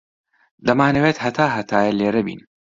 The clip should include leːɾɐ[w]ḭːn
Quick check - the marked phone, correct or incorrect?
incorrect